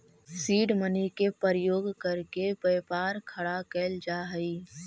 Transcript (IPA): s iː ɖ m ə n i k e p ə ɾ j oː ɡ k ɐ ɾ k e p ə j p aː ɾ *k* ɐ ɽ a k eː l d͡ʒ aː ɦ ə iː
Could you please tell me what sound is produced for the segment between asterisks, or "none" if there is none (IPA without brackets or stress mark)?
kʰ